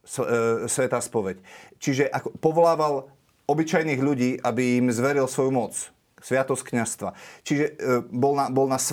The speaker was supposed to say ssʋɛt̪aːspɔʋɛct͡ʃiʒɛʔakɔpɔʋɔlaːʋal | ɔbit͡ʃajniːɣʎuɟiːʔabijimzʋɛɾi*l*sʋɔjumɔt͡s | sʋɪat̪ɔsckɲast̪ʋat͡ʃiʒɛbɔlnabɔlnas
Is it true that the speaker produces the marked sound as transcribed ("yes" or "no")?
yes